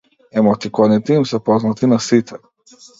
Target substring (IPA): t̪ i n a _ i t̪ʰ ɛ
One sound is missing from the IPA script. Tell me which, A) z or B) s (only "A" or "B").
B